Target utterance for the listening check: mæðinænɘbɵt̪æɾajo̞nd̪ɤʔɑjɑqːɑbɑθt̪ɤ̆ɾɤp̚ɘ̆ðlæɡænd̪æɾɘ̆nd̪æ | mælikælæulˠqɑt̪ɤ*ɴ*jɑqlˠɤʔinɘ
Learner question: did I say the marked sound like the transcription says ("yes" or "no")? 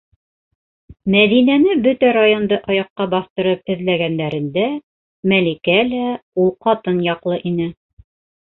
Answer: no